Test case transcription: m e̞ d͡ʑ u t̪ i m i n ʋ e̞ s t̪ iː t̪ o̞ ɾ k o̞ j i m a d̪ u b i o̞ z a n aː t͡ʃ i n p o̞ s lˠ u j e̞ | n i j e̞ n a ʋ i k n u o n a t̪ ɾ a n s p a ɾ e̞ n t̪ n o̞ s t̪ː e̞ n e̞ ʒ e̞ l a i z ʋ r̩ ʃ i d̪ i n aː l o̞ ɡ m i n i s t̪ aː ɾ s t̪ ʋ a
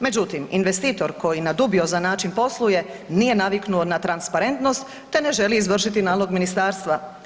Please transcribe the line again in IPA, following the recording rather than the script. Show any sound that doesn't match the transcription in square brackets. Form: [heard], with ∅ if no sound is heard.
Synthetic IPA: m e̞ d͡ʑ u t̪ i m i n ʋ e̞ s t̪ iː t̪ o̞ ɾ k o̞ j i [n] a d̪ u b i o̞ z a n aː t͡ʃ i n p o̞ s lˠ u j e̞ | n i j e̞ n a ʋ i k n u o n a t̪ ɾ a n s p a ɾ e̞ n t̪ n o̞ s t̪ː e̞ n e̞ ʒ e̞ l [i] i z ʋ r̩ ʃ i [t̪] i n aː l o̞ ɡ m i n i s t̪ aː ɾ s t̪ ʋ a